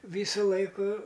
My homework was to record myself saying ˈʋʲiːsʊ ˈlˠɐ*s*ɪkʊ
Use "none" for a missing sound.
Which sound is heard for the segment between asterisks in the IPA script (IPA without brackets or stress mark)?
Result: none